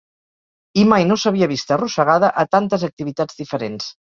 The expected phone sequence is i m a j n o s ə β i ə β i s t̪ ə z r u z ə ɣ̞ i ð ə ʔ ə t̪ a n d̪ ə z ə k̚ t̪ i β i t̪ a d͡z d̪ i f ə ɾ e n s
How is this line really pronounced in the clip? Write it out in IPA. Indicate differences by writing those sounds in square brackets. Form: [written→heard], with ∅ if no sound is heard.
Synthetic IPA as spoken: i m a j n o s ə β i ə β i s t̪ ə [z→∅] r u [z→s] ə ɣ̞ [i→a] ð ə ʔ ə t̪ a n [d̪→t̪] ə z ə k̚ t̪ i β i t̪ a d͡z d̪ i f ə ɾ e n s